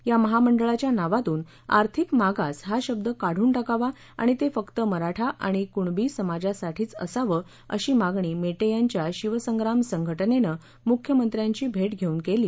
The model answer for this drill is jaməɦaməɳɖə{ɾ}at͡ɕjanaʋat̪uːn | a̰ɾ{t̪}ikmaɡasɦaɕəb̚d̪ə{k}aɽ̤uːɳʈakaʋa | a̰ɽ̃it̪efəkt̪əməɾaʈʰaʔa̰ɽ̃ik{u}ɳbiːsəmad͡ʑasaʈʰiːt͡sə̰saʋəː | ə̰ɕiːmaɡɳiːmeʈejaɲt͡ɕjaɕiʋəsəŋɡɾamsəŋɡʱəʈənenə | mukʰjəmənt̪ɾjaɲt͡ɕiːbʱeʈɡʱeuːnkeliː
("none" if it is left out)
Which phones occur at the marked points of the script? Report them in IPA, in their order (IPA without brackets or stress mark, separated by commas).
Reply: ɭ, t̪ʰ, k, u